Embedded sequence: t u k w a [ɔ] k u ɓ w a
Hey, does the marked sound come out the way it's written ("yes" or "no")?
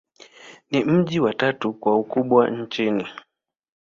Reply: no